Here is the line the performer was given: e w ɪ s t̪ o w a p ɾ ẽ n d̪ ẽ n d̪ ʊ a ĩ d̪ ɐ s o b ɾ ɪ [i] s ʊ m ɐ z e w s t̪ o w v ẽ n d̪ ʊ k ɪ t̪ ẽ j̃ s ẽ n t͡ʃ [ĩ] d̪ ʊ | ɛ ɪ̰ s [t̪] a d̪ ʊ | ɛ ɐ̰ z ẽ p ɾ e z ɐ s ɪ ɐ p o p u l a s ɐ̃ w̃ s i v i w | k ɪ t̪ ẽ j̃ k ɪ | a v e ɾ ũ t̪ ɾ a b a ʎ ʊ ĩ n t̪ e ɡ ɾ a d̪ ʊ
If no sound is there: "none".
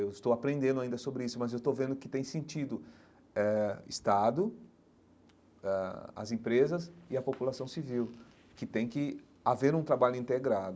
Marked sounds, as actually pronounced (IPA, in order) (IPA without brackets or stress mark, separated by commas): i, i, t̪